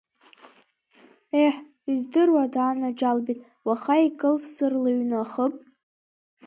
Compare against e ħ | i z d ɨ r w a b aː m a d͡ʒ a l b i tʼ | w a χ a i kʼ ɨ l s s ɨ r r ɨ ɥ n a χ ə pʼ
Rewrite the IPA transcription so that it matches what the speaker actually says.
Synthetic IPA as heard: e ħ | i z d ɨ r w a d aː n a d͡ʒ a l b i tʼ | w a χ a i kʼ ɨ l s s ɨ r l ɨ ɥ n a χ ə pʼ